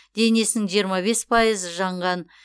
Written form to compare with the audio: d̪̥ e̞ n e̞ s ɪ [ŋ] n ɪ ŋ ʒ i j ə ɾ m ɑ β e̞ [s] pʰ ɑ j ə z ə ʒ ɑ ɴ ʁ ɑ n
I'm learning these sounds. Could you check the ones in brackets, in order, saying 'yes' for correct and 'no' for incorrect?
no, yes

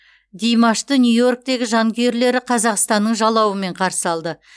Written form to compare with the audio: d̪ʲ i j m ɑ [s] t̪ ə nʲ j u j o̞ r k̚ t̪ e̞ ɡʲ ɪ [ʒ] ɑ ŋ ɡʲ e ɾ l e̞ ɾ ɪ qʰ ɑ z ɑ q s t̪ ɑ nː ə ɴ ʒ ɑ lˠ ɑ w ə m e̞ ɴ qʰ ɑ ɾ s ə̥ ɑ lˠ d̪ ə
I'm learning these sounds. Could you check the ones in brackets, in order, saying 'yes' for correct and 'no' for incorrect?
no, yes

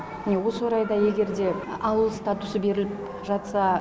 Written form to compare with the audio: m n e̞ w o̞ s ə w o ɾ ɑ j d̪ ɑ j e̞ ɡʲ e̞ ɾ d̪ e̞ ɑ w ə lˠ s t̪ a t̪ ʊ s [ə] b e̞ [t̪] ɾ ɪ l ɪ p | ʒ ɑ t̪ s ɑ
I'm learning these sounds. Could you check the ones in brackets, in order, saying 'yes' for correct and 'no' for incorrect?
yes, no

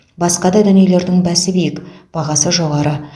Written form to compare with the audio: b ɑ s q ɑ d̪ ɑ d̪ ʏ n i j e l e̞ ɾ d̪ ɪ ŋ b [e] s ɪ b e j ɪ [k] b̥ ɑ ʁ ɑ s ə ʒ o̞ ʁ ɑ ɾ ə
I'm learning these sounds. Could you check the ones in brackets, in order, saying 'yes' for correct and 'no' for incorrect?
no, yes

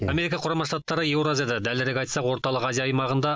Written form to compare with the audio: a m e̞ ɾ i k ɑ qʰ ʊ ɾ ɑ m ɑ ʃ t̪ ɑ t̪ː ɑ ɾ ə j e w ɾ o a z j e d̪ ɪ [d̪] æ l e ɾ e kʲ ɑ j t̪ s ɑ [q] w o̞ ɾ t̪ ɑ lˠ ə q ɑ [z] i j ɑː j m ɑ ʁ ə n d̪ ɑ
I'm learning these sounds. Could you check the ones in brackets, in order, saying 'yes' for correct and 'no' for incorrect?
yes, yes, yes

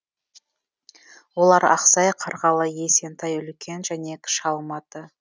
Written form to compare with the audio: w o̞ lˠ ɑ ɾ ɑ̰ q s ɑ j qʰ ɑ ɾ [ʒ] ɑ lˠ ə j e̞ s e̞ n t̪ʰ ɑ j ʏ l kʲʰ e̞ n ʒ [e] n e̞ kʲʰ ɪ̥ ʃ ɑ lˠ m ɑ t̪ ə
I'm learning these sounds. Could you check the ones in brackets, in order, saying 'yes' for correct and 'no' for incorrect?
no, no

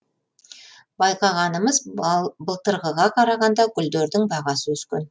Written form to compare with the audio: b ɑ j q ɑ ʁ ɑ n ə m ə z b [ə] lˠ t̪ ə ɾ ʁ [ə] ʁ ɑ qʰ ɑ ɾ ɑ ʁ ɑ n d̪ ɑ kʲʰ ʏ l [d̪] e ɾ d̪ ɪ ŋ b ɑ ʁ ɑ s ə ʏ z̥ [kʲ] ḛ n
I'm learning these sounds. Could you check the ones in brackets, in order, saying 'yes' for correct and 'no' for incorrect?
yes, yes, yes, yes

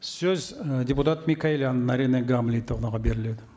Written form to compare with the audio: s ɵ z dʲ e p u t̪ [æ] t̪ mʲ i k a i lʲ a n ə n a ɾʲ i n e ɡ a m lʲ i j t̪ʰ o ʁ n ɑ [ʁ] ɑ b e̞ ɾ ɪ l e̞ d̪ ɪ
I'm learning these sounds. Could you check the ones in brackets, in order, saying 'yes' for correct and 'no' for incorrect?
no, yes

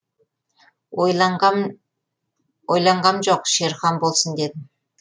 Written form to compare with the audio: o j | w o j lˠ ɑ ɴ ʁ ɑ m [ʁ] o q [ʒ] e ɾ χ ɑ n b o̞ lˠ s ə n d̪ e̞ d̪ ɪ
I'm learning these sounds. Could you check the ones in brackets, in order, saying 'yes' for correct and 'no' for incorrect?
no, no

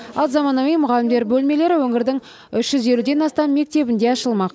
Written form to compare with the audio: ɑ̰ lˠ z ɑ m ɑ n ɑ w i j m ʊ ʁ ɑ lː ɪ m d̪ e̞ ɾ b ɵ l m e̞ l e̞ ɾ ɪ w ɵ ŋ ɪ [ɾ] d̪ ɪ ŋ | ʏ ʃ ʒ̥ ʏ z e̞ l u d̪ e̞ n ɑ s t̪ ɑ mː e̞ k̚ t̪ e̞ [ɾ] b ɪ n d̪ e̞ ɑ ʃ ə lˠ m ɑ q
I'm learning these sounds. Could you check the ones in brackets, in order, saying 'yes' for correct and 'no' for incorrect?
yes, no

